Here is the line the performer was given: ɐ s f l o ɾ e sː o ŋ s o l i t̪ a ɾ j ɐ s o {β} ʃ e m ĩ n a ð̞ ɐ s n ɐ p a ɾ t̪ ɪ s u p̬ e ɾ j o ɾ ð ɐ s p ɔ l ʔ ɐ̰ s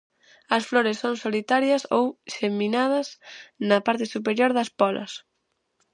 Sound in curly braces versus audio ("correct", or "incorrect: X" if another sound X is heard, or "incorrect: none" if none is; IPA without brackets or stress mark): incorrect: w